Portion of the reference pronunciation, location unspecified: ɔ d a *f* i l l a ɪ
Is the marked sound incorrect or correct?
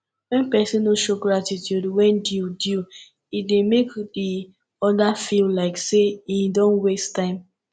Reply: correct